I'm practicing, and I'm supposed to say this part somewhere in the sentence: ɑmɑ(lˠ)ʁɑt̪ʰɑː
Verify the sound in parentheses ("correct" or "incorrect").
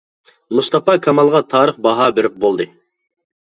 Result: correct